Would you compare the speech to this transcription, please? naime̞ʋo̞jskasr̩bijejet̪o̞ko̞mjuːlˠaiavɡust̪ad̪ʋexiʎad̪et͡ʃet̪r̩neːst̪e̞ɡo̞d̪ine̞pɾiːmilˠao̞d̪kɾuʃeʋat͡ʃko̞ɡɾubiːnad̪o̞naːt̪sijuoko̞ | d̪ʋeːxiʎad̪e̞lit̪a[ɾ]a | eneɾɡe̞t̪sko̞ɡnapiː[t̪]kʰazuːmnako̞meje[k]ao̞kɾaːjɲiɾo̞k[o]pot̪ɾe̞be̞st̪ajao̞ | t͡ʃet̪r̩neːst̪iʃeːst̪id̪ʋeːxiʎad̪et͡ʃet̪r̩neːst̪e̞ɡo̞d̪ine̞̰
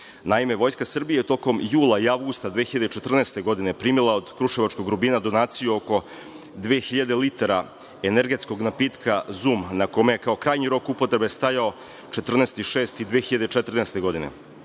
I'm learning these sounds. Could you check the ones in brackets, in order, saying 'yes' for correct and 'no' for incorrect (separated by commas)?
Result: yes, yes, yes, no